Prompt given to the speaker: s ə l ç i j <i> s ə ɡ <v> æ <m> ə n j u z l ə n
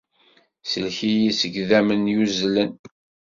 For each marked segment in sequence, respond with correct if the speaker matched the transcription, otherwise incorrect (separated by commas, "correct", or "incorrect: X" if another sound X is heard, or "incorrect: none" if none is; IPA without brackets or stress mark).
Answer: correct, incorrect: ð, correct